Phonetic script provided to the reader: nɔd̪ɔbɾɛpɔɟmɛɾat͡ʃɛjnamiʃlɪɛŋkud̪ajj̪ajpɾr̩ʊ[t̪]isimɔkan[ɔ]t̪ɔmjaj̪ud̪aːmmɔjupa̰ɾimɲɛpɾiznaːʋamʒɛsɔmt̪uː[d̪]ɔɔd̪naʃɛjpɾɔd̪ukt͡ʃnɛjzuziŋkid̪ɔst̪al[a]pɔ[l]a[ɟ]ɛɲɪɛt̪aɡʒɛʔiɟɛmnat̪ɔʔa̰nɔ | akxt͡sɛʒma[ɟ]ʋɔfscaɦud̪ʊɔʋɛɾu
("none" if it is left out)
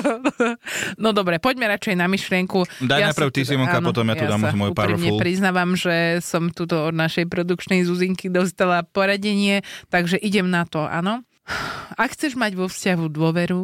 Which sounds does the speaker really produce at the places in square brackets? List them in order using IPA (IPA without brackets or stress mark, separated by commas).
t̪, ɔ, t̪, a, ɾ, ɟ, ɟ